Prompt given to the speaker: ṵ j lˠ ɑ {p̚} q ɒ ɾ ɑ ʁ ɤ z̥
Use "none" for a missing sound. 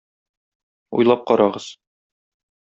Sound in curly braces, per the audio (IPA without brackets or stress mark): p̚